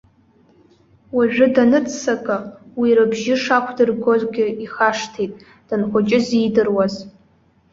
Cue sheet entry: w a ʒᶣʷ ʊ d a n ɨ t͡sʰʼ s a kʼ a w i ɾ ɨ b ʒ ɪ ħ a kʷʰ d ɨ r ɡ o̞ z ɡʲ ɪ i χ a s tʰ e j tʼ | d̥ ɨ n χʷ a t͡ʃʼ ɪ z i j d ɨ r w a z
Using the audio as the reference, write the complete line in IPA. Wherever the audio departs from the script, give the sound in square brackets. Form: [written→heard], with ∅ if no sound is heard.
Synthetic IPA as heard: w a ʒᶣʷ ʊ d a n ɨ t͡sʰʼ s a kʼ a w i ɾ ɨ b ʒ ɪ [ħ→ʂ] a kʷʰ d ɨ r ɡ o̞ z ɡʲ ɪ i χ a [s→ʂ] tʰ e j tʼ | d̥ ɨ n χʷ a t͡ʃʼ ɪ z i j d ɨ r w a z